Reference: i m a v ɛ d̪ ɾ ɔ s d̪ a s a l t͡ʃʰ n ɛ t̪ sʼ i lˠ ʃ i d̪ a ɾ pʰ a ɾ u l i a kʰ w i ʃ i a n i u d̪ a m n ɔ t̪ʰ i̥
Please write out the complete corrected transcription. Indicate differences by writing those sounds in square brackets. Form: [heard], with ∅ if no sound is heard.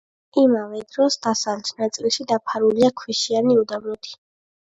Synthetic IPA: i m a v ɛ d̪ ɾ ɔ s d̪ a s a l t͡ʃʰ n [a] t̪ sʼ i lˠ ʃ i d̪ a [∅] pʰ a ɾ u l i a kʰ w i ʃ i a n i u d̪ a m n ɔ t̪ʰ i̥